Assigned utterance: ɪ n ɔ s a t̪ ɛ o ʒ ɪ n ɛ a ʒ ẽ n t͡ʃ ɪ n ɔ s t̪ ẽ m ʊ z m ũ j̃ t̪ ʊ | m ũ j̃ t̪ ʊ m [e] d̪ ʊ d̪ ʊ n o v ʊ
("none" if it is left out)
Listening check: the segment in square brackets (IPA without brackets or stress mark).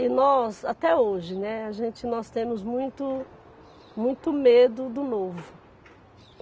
e